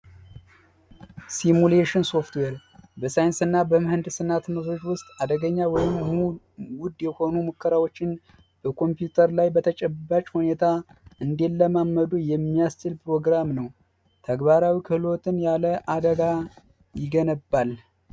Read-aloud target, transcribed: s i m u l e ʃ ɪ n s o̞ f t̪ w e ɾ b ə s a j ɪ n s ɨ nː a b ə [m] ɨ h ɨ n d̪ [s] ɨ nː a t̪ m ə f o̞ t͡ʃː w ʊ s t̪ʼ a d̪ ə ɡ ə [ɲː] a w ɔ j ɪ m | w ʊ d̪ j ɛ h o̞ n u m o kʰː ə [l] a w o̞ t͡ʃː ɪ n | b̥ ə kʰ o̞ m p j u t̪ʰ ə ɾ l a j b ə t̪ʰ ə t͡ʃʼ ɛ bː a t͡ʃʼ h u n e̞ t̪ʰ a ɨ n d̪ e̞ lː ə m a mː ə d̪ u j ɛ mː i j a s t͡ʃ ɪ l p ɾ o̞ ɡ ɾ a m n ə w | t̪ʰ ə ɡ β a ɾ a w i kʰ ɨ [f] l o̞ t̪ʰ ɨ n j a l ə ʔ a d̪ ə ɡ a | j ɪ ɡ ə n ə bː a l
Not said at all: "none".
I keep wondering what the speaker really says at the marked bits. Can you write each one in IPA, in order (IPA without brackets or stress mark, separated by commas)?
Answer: m, s, ɲː, ɾ, h